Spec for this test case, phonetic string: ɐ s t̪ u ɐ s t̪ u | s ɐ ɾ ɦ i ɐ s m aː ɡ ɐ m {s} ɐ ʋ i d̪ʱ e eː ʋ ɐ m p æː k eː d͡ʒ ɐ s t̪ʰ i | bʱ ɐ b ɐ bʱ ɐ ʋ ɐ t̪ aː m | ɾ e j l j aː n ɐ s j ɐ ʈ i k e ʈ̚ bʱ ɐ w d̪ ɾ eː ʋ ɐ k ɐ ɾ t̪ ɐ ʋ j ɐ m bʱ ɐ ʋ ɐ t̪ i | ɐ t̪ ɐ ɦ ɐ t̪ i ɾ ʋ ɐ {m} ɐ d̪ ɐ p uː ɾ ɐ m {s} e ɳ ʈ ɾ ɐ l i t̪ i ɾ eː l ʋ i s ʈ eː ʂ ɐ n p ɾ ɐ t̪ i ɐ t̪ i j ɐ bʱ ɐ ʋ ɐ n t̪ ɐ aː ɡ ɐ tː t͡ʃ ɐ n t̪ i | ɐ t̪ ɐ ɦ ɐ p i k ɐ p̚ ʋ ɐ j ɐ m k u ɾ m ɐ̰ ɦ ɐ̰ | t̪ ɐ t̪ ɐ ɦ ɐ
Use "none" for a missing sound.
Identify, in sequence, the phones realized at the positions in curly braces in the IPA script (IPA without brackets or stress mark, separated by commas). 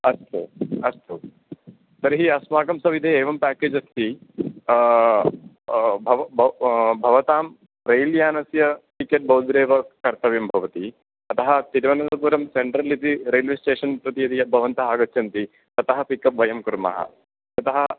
s, n, s